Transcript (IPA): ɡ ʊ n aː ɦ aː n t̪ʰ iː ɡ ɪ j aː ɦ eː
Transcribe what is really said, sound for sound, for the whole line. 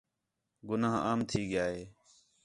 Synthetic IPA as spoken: ɡ ʊ n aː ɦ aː m t̪ʰ iː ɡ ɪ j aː ɦ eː